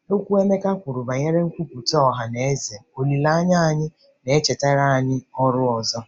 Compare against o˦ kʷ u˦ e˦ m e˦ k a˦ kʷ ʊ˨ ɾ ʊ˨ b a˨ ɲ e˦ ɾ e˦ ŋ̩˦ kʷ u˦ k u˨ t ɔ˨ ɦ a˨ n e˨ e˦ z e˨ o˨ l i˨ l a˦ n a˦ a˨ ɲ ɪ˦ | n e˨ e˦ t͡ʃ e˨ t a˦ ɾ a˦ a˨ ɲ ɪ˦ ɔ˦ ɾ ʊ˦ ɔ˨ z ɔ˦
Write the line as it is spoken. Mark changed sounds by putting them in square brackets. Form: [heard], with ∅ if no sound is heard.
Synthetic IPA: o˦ kʷ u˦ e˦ m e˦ k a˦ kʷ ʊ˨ ɾ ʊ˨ b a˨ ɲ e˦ ɾ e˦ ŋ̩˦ kʷ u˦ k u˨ t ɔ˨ ɦ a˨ n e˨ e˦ z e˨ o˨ l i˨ l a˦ [ɲ] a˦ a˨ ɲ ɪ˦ | n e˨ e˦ t͡ʃ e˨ t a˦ ɾ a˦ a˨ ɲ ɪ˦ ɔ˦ ɾ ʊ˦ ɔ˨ z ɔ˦

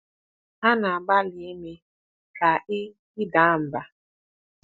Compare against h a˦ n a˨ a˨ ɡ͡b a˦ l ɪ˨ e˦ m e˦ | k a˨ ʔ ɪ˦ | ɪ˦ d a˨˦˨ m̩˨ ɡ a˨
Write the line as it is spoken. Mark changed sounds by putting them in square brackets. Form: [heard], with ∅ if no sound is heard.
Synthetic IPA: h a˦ n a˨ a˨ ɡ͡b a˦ l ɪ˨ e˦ m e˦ | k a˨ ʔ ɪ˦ | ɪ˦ d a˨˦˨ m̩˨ [b] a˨

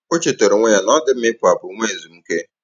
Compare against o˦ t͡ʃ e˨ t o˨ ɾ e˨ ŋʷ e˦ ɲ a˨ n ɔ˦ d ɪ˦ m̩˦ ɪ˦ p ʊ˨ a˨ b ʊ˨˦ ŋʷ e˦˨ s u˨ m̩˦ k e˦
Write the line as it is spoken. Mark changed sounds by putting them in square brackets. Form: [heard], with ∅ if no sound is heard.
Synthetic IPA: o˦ t͡ʃ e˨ t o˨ ɾ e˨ ŋʷ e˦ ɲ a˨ n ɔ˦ d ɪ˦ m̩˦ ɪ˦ p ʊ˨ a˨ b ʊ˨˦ ŋʷ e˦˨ [z] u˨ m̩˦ k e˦

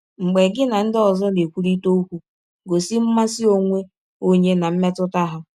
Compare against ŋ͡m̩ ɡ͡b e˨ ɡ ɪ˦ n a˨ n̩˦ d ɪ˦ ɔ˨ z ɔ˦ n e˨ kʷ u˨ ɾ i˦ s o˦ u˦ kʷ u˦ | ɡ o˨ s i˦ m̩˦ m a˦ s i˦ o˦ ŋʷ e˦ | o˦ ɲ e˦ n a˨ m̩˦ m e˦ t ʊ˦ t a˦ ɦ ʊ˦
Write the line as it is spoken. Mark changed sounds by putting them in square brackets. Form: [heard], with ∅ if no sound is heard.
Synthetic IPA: ŋ͡m̩ ɡ͡b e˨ ɡ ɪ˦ n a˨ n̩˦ d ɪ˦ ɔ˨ z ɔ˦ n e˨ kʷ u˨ ɾ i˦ [t] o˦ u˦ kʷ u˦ | ɡ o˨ s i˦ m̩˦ m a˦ s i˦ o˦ ŋʷ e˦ | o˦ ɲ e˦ n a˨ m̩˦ m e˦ t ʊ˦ t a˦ ɦ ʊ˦

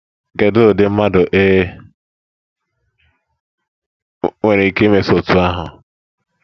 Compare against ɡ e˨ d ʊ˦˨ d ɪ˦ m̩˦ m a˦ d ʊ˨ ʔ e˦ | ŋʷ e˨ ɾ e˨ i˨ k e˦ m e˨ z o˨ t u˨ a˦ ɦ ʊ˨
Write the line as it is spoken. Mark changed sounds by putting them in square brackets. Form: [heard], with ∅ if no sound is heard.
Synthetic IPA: ɡ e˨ d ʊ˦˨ d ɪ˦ m̩˦ m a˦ d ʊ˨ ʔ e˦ | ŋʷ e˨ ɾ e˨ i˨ k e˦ m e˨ [s] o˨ t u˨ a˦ ɦ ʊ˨

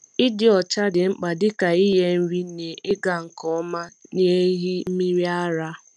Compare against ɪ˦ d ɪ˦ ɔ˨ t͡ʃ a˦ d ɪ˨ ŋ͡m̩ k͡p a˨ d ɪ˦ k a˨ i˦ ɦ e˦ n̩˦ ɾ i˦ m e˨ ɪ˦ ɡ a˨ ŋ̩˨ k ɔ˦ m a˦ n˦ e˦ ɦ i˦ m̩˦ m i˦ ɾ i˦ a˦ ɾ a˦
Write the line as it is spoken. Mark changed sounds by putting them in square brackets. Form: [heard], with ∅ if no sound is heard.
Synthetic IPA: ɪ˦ d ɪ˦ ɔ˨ t͡ʃ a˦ d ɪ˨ ŋ͡m̩ k͡p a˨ d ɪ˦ k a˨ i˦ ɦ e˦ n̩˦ ɾ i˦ [n] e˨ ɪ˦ ɡ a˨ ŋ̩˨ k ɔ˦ m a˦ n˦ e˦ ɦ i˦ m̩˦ m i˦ ɾ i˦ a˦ ɾ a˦

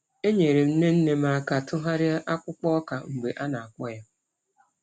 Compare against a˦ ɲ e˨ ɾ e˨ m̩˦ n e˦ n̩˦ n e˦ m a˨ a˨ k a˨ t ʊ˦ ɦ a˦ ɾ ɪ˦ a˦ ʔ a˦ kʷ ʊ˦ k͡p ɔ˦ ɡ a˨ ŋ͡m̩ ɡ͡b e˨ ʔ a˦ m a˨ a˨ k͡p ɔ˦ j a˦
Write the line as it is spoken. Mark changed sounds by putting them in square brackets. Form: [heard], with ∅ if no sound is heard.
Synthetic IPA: [e˦] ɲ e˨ ɾ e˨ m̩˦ n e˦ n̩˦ n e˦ m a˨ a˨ k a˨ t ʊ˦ ɦ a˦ ɾ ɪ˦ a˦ ʔ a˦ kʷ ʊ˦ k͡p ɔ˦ [k] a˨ ŋ͡m̩ ɡ͡b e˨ ʔ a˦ [n] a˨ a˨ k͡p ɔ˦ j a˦

